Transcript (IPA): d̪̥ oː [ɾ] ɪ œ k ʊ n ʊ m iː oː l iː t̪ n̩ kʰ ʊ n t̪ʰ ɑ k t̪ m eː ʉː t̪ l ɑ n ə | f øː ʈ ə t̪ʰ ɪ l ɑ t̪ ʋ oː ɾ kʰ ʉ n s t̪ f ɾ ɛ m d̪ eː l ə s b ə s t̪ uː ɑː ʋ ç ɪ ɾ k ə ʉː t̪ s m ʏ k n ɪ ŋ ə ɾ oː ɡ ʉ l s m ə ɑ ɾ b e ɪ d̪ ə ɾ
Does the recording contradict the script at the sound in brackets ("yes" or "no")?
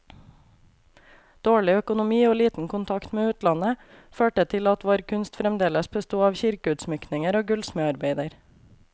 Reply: yes